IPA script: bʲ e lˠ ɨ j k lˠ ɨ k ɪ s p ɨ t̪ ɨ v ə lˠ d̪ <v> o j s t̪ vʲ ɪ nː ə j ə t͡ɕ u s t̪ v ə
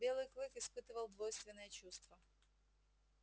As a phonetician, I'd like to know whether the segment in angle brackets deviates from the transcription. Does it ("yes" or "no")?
no